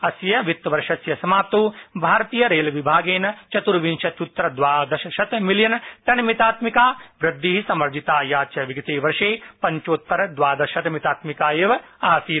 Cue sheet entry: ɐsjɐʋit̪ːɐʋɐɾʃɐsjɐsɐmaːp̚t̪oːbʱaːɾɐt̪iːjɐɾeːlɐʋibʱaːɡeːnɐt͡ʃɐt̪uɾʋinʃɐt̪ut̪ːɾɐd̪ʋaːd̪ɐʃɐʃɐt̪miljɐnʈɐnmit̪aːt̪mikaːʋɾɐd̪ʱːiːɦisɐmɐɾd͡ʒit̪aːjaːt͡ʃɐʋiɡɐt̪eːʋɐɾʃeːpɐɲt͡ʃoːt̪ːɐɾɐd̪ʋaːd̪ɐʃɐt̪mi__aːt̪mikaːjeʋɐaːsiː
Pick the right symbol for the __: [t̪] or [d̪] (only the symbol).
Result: t̪